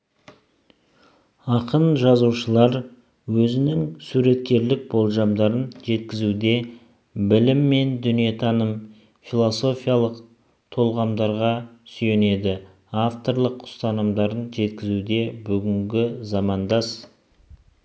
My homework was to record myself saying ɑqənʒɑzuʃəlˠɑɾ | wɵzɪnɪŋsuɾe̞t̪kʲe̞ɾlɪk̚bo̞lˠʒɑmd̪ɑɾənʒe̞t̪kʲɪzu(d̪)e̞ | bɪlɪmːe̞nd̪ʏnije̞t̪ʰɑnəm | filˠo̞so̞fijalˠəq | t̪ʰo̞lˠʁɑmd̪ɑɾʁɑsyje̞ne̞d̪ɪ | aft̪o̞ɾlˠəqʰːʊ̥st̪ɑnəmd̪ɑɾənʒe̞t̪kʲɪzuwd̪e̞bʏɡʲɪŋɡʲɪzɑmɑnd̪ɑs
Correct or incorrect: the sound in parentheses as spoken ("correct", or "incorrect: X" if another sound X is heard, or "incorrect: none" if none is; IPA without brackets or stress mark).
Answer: correct